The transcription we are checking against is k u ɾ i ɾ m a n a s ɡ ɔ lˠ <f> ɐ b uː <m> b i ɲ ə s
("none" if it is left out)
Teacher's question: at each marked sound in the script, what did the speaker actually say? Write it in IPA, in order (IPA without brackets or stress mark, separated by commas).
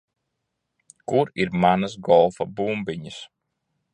f, m